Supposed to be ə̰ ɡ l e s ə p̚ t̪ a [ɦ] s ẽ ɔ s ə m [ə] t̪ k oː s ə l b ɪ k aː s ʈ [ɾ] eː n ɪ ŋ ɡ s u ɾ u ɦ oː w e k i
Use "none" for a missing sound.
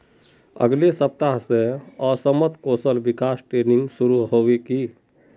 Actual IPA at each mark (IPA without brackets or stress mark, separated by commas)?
ɦ, ə, ɾ